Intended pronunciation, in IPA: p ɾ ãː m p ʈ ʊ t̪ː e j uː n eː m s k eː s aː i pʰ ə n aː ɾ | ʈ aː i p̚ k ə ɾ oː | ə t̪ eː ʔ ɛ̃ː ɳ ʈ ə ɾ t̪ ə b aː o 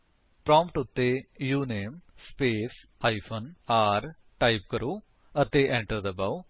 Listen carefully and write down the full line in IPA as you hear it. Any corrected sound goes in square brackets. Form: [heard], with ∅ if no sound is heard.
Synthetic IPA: p ɾ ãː m p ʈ ʊ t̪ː e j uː n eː m s [p] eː s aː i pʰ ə n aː ɾ | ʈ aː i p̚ k ə ɾ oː | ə t̪ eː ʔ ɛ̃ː ɳ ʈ ə ɾ [d̪] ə b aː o